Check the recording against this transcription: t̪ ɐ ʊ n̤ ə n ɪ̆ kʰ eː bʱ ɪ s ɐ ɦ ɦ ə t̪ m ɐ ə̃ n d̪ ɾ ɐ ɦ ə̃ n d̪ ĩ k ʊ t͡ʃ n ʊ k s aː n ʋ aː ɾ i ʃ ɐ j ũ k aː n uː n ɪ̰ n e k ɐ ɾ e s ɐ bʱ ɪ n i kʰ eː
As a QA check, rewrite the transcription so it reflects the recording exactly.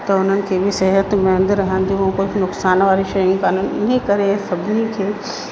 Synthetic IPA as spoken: t̪ ɐ ʊ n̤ ə n ɪ̆ kʰ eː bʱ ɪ s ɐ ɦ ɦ ə t̪ m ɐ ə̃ n d̪ ɾ ɐ ɦ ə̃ n d̪ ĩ k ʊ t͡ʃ n ʊ k s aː n ʋ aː ɾ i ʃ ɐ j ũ k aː n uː n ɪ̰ n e k ɐ ɾ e s ɐ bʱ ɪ n i kʰ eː